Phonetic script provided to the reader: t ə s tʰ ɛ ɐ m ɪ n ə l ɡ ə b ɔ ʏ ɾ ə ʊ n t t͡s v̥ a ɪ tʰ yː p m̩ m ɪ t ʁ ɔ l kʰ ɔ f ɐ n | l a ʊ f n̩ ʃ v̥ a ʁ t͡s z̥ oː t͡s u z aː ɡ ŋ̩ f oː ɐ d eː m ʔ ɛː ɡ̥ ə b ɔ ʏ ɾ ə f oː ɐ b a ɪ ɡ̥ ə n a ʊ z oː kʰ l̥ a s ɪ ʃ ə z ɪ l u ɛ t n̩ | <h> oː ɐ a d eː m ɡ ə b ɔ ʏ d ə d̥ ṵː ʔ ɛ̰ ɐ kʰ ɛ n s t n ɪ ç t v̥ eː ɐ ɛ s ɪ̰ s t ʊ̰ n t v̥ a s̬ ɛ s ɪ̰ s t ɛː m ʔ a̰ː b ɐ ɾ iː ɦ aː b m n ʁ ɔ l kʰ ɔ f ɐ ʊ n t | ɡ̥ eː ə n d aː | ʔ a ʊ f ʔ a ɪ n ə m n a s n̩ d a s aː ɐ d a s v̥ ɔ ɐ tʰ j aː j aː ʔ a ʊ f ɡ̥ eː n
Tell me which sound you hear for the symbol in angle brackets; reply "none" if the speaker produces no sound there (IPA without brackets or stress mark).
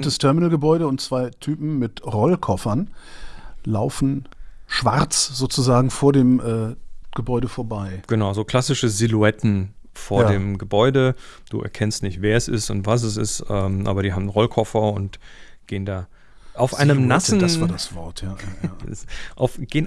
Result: f